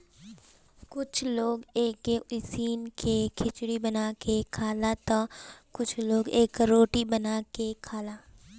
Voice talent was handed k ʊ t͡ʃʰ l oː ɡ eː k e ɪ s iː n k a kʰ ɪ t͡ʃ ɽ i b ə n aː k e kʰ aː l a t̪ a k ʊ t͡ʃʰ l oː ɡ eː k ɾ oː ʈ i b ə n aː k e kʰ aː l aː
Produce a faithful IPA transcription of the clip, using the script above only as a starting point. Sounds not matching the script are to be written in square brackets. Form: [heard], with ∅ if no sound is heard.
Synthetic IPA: k ʊ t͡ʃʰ l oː ɡ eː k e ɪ s iː n k [e] kʰ ɪ t͡ʃ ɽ i b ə n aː k e kʰ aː l a t̪ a k ʊ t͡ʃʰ l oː ɡ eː k ɾ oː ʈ i b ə n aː k e kʰ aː l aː